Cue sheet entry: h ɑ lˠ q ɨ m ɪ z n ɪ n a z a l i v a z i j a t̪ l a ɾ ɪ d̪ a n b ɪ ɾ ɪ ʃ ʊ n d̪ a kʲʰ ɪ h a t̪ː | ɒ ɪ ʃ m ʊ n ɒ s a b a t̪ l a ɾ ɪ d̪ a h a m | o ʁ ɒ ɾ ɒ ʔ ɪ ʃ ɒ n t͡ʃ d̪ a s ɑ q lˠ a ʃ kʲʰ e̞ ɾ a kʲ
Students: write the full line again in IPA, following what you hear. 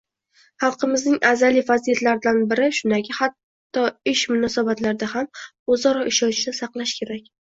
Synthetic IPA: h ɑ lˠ q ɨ m ɪ z n ɪ ŋ a z a l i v a z i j a t̪ l a ɾ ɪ d̪ a n b ɪ ɾ ɪ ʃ ʊ n d̪ a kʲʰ ɪ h a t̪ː | ɒ ɪ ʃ m ʊ n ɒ s a b a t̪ l a ɾ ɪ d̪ a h a m | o z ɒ ɾ ɒ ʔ ɪ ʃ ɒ n t͡ʃ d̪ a s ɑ q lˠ a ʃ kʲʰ e̞ ɾ a kʲ